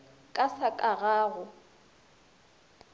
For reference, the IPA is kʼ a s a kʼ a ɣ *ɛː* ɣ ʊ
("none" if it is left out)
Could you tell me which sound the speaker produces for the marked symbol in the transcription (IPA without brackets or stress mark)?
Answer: aː